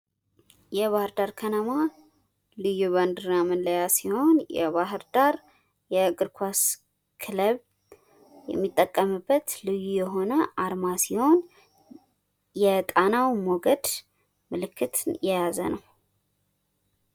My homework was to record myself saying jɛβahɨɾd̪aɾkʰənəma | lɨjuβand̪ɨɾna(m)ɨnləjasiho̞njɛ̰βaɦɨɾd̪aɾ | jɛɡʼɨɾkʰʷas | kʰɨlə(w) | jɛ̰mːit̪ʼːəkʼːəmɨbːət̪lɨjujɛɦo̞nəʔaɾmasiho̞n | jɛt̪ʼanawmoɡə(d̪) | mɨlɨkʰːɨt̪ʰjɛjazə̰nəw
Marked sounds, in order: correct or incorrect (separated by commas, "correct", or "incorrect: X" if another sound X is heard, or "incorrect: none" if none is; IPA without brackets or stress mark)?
correct, incorrect: β, correct